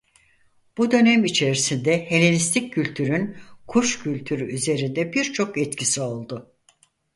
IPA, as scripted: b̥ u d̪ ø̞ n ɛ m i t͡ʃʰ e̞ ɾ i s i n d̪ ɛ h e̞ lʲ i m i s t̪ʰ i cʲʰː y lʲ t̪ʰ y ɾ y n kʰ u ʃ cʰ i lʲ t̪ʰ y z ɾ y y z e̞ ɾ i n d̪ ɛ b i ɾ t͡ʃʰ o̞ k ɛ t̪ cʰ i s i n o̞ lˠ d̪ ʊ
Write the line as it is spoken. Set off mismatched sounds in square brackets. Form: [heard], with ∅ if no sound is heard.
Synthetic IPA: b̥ u d̪ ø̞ n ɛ m i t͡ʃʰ e̞ ɾ i s i n d̪ ɛ h e̞ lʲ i [n] i s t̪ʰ i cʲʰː y lʲ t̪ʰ y ɾ y n kʰ u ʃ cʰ [y] lʲ t̪ʰ y [∅] ɾ y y z e̞ ɾ i n d̪ ɛ b i ɾ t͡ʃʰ o̞ k ɛ t̪ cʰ i s i [∅] o̞ lˠ d̪ ʊ